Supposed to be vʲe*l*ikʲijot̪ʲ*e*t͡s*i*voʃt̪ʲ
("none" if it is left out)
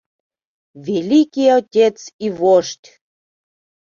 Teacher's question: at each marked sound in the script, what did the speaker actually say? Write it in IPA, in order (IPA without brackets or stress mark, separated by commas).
l, e, i